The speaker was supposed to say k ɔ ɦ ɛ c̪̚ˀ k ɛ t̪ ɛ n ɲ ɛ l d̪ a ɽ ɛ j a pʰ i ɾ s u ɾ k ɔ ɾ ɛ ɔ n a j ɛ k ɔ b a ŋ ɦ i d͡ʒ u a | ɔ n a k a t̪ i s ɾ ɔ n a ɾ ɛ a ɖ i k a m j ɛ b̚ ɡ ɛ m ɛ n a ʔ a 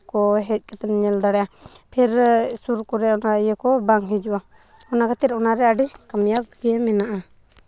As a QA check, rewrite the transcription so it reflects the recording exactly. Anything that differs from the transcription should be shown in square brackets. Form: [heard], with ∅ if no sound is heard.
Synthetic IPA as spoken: k ɔ ɦ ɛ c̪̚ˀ k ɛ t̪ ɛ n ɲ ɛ l d̪ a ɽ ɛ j a pʰ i ɾ s u ɾ k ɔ ɾ ɛ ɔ n a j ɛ k ɔ b a ŋ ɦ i d͡ʒ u a | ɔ n a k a t̪ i [∅] ɾ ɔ n a ɾ ɛ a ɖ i k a m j [a] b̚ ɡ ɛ m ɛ n a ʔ a